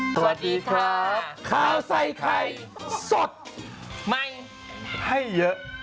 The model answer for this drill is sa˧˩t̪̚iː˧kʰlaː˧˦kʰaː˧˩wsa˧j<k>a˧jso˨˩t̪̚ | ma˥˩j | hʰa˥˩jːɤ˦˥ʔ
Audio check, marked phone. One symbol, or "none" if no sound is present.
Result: kʰ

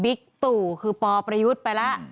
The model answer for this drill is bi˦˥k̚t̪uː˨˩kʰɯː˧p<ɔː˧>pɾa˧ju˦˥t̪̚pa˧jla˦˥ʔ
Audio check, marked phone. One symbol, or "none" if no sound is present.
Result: ɔː˧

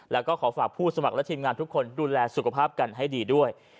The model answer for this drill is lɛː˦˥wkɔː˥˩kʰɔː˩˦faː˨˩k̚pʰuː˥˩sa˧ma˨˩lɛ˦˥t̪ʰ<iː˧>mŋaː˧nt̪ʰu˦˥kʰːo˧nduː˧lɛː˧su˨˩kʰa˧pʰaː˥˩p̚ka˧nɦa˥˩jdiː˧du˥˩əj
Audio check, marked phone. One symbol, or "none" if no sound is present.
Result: iː˧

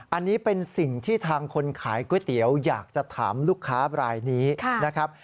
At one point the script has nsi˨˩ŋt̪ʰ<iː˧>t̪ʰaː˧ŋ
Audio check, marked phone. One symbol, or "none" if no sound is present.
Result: iː˥˩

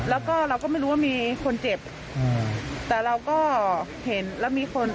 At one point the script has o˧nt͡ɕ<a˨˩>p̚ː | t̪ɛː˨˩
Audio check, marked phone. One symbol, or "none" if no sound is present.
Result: e˨˩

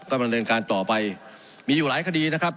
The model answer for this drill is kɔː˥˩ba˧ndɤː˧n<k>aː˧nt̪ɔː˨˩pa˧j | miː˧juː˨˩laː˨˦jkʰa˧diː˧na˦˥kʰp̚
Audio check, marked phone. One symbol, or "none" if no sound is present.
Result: k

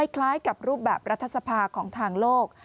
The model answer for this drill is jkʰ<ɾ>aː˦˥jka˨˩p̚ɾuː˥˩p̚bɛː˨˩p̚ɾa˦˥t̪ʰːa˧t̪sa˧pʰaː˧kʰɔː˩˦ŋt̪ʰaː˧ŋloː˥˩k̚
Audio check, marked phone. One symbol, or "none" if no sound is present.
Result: l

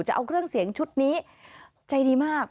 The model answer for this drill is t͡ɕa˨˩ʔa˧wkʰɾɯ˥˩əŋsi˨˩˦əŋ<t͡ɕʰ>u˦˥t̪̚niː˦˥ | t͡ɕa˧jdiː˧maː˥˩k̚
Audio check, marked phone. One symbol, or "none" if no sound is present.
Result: t͡ɕʰ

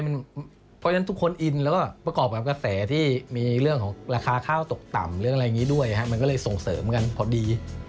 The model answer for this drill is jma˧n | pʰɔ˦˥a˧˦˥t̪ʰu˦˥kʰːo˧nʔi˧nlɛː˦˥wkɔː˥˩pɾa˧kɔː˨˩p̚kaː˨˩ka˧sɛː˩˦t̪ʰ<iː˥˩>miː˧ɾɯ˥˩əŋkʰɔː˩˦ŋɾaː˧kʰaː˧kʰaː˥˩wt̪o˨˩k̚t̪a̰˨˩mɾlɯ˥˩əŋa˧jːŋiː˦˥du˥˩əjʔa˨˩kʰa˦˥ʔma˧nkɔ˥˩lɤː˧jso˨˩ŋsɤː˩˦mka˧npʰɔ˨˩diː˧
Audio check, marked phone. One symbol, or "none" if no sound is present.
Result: iː˥˩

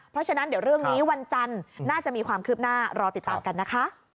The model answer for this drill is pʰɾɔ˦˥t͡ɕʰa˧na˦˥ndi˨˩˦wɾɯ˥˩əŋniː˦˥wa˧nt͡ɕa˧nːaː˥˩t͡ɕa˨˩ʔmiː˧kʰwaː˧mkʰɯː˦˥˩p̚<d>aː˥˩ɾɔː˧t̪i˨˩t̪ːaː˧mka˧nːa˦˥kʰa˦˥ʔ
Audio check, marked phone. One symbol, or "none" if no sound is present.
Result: n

